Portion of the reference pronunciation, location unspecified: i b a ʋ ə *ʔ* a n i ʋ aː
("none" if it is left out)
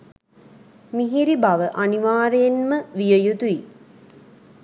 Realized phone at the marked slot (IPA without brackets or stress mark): ʔ